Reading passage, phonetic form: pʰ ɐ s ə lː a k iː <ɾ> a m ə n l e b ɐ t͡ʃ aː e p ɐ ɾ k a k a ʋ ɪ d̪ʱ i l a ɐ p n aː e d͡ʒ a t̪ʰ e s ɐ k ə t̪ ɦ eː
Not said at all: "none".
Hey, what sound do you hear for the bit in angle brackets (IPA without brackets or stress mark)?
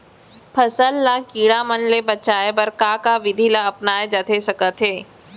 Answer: ɽ